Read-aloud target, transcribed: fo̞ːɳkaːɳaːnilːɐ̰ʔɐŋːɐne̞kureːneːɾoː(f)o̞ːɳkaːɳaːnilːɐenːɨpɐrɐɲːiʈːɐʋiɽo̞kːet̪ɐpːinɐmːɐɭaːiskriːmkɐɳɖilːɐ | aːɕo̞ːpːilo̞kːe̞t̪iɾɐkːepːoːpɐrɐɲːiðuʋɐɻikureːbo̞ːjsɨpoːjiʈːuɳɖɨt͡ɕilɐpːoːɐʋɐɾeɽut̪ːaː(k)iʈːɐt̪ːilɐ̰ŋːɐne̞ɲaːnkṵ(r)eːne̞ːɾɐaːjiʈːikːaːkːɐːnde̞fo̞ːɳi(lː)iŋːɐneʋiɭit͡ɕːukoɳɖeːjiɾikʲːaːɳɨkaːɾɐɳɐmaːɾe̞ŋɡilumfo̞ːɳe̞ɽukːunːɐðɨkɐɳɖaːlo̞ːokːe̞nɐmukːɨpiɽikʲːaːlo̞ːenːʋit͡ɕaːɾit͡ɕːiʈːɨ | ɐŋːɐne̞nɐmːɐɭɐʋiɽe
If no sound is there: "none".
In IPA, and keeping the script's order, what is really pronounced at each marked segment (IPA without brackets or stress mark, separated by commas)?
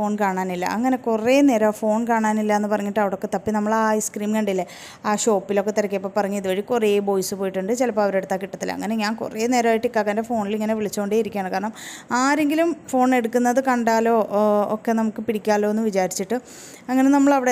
f, k, r, l